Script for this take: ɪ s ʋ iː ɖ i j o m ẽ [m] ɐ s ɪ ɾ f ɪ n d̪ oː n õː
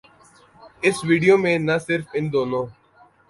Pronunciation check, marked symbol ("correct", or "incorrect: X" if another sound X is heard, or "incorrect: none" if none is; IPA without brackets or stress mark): incorrect: n